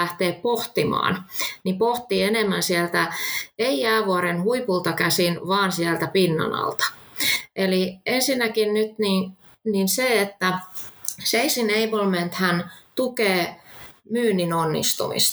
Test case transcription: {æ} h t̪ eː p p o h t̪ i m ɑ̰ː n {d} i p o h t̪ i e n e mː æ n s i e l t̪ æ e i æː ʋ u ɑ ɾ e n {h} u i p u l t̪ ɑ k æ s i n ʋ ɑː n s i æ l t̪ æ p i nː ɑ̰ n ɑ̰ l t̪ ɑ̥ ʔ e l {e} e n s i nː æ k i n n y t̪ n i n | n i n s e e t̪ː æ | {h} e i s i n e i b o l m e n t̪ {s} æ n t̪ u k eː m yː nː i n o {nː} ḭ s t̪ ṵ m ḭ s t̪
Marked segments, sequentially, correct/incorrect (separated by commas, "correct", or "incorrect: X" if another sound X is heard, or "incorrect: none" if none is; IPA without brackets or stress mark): correct, incorrect: n, correct, incorrect: i, incorrect: s, incorrect: h, correct